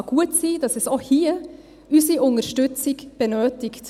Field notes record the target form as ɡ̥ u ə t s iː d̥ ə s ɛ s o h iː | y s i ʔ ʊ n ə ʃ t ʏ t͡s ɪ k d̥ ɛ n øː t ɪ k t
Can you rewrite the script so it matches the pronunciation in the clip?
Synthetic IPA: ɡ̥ u ə t s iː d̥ ɑ s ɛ s o h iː | y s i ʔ ʊ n ə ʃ t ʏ t͡s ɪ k b̥ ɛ n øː t ɪ k t